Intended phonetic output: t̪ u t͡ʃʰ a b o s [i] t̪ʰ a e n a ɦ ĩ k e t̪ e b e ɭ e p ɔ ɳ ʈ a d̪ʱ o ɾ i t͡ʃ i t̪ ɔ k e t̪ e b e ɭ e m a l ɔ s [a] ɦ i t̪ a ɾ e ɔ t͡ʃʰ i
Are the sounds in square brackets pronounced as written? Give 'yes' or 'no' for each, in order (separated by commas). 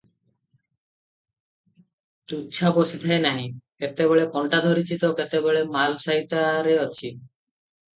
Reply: yes, yes